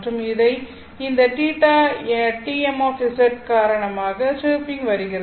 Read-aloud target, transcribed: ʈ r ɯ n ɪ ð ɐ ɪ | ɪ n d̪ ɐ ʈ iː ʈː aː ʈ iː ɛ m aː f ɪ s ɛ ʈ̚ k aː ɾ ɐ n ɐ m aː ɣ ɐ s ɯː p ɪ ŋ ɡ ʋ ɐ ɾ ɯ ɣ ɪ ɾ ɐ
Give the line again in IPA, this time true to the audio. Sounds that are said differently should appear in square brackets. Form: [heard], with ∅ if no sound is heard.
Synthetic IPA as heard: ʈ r ɯ [m] ɪ ð ɐ ɪ | ɪ n d̪ ɐ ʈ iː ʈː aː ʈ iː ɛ m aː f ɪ s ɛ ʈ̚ k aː ɾ ɐ [ɳ] ɐ m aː ɣ ɐ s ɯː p ɪ ŋ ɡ ʋ ɐ ɾ ɯ ɣ ɪ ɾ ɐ

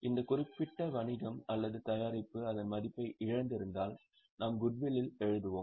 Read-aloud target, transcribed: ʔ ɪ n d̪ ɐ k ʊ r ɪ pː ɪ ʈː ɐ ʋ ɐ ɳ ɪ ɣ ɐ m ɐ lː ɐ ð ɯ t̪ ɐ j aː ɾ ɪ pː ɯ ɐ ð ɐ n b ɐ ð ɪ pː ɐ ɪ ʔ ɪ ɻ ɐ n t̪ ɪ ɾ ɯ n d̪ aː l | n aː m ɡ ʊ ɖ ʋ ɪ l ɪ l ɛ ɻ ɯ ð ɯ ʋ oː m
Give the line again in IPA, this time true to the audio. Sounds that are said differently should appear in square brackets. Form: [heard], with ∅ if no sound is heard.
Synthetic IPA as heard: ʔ ɪ n d̪ ɐ k ʊ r ɪ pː ɪ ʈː ɐ ʋ ɐ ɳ ɪ ɣ ɐ m ɐ lː ɐ ð ɯ t̪ ɐ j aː ɾ ɪ pː ɯ ɐ ð ɐ n [m] ɐ ð ɪ pː ɐ ɪ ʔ ɪ ɻ ɐ n [d̪] ɪ ɾ ɯ n d̪ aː l | n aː m ɡ ʊ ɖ ʋ ɪ l ɪ l ɛ ɻ ɯ ð ɯ ʋ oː m

